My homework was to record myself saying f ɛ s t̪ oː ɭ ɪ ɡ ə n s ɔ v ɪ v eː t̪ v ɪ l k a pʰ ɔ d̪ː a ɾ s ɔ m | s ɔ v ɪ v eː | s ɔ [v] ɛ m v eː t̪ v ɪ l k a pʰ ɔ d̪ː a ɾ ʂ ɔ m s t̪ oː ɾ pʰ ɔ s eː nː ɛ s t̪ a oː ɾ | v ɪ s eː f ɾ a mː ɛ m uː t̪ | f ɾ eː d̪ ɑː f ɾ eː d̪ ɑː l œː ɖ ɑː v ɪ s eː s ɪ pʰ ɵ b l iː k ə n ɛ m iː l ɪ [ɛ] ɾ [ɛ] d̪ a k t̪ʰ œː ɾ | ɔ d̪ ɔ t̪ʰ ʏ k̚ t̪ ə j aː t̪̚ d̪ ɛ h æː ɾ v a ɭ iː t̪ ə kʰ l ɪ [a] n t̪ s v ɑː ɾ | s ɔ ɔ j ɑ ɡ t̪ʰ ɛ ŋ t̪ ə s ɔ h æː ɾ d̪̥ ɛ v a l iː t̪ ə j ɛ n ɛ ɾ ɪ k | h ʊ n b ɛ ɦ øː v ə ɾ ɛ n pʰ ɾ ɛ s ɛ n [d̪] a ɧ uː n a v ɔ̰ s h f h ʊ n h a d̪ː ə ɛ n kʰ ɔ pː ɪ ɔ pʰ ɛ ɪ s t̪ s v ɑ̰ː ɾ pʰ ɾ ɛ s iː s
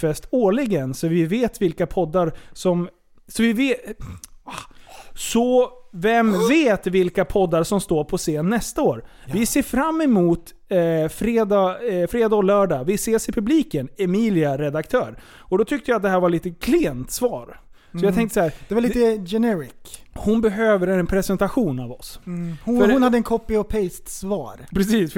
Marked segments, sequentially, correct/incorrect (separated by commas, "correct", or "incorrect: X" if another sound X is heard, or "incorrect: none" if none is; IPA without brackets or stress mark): correct, incorrect: a, correct, incorrect: ɛ, incorrect: t̪